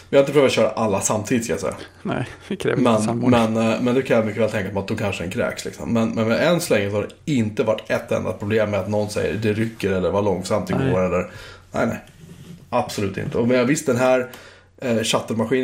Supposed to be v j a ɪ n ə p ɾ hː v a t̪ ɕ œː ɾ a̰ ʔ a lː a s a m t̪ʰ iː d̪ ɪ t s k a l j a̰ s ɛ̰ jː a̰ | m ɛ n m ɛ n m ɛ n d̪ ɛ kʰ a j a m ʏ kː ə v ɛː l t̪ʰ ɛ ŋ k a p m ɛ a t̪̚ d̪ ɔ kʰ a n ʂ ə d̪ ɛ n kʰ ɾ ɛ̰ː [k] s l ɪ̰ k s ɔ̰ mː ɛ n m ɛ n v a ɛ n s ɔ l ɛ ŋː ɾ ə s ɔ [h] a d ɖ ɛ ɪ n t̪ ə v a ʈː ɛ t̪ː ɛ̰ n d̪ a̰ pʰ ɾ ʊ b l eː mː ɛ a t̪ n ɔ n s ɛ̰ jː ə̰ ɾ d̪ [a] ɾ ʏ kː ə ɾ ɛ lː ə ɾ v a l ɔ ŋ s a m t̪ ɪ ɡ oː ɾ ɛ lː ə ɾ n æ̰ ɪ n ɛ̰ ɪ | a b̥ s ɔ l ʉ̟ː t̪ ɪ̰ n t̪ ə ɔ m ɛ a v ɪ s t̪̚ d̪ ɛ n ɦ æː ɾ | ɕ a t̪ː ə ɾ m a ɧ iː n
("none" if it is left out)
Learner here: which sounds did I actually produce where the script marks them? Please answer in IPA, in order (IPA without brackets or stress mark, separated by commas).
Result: k, h, ɛ